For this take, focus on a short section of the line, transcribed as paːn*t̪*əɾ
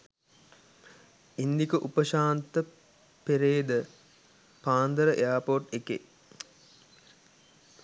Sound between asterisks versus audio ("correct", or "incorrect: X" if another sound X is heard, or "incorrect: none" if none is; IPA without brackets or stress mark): incorrect: d̪